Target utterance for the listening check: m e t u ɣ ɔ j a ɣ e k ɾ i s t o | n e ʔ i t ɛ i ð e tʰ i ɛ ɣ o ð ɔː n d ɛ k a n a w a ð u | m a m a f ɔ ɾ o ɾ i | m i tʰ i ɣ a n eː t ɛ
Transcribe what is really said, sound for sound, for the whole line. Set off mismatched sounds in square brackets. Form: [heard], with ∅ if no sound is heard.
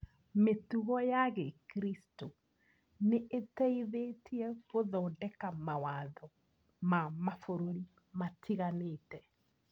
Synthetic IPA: m e t u ɣ ɔ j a ɣ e k ɾ i s t o | n e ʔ [e] t ɛ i ð e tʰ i ɛ ɣ o ð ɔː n d ɛ k a [m] a w a ð [ɔ] | m a m a f [o] ɾ o ɾ i | m [a] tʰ i ɣ a n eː t ɛ